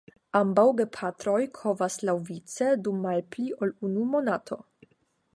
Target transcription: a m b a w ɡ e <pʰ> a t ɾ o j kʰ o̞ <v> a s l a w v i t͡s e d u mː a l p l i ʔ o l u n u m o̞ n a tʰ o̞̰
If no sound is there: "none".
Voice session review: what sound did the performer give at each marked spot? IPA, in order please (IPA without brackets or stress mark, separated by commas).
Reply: pʰ, v